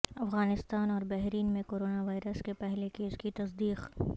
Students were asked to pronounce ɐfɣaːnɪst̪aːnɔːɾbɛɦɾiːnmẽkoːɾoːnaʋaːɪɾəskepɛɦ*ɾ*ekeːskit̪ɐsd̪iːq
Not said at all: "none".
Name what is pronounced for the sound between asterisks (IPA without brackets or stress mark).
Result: l